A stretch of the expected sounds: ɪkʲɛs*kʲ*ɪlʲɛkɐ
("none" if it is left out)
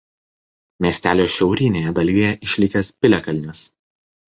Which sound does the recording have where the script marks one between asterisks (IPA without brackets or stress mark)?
pʲ